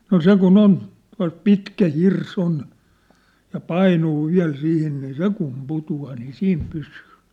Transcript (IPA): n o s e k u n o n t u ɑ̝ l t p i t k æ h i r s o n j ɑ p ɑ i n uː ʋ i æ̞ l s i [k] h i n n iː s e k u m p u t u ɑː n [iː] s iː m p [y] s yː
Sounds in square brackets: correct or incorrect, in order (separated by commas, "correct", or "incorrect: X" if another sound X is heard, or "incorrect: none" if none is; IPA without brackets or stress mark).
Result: incorrect: none, correct, correct